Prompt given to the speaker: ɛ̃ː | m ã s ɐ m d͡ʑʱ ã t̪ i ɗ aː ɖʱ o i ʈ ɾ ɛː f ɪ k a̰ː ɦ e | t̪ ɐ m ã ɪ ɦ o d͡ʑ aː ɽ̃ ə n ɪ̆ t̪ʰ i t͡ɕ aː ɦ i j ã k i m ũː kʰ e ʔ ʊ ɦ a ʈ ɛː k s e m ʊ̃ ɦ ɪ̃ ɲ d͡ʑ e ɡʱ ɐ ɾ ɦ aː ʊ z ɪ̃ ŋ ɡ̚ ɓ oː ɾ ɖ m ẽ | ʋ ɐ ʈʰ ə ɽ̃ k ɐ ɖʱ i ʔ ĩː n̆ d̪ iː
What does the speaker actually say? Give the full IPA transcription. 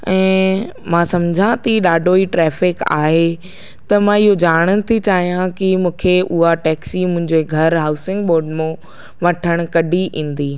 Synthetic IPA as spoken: ɛ̃ː | m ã s ɐ m d͡ʑʱ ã t̪ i ɗ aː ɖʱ o i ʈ ɾ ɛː f ɪ k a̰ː ɦ e | t̪ ɐ m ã ɪ ɦ o d͡ʑ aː ɽ̃ ə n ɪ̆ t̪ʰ i t͡ɕ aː ɦ i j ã k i m ũː kʰ e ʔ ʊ ɦ a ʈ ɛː k s i m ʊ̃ ɦ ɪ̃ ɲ d͡ʑ e ɡʱ ɐ ɾ ɦ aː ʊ s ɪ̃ ŋ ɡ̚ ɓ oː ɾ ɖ m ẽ | ʋ ɐ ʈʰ ə ɽ̃ k ɐ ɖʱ i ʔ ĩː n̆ d̪ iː